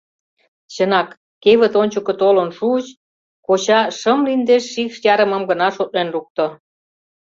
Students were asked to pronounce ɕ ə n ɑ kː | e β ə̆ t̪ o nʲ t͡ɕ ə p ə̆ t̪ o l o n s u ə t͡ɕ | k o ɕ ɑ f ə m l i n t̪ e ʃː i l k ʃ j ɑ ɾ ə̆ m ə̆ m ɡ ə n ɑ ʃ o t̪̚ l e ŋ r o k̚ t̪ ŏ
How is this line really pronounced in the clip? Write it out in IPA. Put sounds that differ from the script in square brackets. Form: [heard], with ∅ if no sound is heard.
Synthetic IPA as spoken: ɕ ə n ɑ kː | e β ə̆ t̪ o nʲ t͡ɕ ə [k] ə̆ t̪ o l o n [ʃ] u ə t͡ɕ | k o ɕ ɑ [ʃ] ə m l i n [d̪] e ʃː i [∅] k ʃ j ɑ ɾ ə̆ m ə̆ m ɡ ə n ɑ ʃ o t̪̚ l e [n] r [u] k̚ t̪ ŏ